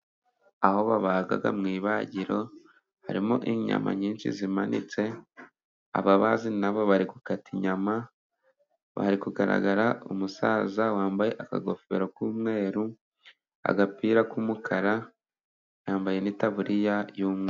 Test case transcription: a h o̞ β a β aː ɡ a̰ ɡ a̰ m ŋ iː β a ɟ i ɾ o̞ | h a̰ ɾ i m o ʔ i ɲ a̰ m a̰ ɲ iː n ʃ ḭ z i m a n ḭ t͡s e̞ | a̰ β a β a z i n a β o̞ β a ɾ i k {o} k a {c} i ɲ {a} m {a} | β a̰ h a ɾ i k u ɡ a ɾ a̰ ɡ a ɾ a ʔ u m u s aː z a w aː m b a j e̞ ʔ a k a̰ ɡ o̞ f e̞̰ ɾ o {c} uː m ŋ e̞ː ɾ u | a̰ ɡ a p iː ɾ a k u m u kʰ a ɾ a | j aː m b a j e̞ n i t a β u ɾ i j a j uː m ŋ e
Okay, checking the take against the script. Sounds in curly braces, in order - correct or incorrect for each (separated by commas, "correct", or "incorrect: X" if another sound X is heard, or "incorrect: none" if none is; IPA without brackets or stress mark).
incorrect: u, incorrect: t, correct, correct, incorrect: k